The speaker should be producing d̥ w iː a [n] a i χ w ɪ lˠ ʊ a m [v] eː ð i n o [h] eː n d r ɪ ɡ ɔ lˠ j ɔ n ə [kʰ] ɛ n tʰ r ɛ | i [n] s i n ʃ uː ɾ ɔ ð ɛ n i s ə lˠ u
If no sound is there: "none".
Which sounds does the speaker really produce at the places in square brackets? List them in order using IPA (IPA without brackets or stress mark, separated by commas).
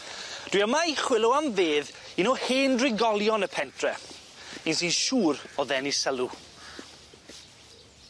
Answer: m, v, h, pʰ, n